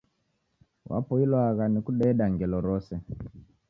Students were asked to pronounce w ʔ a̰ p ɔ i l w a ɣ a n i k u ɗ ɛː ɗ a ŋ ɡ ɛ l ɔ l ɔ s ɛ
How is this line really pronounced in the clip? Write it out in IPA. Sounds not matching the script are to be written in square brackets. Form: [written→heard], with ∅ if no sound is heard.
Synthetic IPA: w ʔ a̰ p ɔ i l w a ɣ a n i k u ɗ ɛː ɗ a ŋ ɡ ɛ l ɔ [l→ɾ] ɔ s ɛ